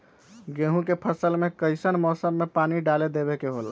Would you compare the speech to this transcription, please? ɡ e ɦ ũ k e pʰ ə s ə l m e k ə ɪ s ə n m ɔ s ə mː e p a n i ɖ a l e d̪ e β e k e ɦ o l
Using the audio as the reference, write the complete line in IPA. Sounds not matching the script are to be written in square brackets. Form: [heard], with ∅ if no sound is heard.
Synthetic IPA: ɡ e ɦ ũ k e pʰ ə s ə l m e k ə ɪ s ə n m ɔ s ə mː e p a n i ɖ a l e d̪ e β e k e ɦ o l